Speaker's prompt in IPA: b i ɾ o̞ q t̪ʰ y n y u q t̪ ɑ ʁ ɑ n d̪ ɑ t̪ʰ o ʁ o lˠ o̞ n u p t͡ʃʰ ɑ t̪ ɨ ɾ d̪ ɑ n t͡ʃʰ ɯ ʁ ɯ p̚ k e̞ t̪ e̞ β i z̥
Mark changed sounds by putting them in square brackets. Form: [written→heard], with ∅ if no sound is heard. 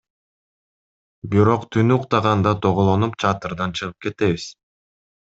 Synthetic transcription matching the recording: b i ɾ o̞ q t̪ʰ y n y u q t̪ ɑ ʁ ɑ n d̪ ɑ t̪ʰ o ʁ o lˠ o̞ n u p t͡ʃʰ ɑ t̪ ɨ ɾ d̪ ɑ n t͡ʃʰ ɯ ʁ ɯ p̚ k e̞ t̪ e̞ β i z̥